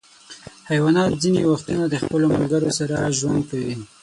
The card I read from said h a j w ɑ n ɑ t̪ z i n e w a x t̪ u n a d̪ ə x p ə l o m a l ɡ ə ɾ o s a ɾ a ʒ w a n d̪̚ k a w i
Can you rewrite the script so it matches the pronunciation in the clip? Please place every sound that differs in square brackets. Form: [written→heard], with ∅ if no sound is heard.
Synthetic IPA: h a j w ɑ n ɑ t̪ z i n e w a x t̪ u n a d̪ ə x p ə l o m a l ɡ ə ɾ o s a ɾ a ʒ w a n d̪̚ k a w i